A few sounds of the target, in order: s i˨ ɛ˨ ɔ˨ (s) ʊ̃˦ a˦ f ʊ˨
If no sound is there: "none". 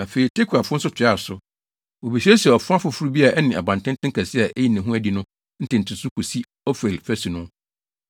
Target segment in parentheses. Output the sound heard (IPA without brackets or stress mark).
f